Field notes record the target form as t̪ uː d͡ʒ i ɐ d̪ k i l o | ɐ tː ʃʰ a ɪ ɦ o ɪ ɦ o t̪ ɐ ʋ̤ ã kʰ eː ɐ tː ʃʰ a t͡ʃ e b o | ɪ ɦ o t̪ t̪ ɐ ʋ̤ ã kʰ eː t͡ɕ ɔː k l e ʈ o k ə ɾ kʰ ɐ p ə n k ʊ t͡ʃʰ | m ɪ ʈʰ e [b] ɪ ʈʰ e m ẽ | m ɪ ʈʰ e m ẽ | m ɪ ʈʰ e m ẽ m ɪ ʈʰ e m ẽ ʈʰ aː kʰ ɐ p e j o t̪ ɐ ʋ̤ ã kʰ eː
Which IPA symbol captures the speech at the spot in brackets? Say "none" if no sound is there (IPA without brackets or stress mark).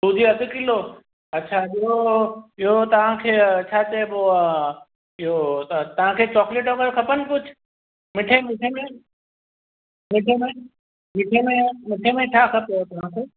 m